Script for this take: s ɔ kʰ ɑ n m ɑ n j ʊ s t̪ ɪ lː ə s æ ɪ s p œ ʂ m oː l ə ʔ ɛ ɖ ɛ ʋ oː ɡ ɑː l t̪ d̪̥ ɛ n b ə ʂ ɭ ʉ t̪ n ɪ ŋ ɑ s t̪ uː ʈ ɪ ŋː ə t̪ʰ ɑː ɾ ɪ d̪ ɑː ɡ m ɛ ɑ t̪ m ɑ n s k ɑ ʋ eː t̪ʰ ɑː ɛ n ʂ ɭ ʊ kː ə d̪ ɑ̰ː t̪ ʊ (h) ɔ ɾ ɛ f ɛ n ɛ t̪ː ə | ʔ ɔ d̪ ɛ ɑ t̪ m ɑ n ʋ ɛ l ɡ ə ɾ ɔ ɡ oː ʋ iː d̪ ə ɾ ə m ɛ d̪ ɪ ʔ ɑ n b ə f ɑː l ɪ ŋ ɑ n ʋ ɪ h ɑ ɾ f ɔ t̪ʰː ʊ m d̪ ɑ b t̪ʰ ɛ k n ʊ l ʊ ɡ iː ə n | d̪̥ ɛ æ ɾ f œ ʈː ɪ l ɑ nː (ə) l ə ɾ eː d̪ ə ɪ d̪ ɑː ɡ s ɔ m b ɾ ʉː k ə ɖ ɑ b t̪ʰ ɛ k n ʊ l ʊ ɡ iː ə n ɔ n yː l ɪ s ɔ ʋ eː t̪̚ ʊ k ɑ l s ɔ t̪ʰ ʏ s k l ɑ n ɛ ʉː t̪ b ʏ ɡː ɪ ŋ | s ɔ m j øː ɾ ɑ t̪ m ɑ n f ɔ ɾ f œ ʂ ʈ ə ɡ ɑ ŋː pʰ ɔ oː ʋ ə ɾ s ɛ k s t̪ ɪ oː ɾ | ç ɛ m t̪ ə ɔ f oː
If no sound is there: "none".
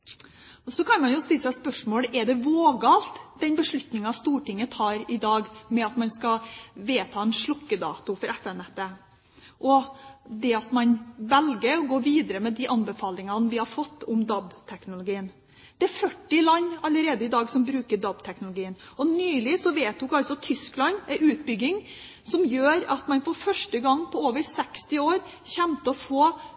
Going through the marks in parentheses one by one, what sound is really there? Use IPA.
f, ɑ

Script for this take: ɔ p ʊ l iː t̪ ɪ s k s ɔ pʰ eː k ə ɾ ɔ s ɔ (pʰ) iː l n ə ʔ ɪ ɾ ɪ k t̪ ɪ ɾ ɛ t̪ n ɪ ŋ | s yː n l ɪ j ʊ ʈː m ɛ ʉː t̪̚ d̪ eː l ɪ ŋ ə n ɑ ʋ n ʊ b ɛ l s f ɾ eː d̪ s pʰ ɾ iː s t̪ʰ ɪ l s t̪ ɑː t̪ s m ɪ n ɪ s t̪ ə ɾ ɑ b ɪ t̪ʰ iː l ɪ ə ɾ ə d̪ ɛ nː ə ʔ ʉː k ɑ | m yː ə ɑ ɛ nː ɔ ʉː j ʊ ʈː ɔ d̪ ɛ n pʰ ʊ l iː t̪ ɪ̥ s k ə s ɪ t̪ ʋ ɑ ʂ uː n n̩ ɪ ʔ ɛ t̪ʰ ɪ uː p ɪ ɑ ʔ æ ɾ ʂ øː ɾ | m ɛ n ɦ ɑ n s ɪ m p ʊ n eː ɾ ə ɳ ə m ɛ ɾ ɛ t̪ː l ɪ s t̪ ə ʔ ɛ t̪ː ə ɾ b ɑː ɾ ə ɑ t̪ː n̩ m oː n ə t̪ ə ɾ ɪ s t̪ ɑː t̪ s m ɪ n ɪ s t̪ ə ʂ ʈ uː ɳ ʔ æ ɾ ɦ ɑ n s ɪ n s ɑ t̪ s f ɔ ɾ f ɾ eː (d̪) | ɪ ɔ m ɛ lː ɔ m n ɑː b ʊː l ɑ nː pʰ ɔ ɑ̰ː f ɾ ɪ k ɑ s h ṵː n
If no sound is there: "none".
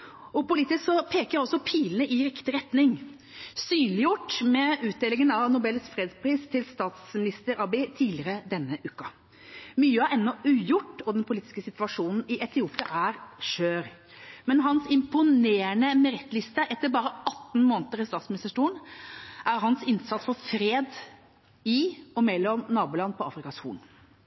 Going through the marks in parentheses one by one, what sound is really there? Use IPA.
pʰ, d̪

